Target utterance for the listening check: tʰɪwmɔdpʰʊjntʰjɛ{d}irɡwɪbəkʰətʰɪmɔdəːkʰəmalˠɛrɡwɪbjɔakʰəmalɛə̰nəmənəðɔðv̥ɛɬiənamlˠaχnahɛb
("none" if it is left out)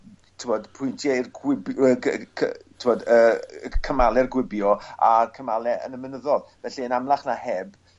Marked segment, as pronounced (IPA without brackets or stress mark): none